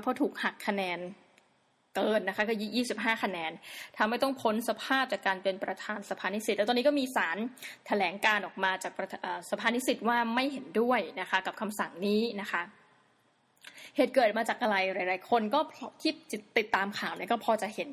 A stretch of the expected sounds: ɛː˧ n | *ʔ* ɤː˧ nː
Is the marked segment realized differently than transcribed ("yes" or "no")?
yes